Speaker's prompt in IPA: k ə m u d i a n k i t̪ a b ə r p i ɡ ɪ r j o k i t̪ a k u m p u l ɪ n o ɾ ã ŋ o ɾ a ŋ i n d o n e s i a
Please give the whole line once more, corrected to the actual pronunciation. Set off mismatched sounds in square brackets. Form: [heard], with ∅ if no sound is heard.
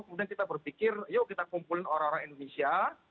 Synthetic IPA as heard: k ə m u d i a n k i t̪ a b ə r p i [k] ɪ r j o k i t̪ a k u m p u l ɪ n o ɾ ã ŋ o ɾ a ŋ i n d o n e s i a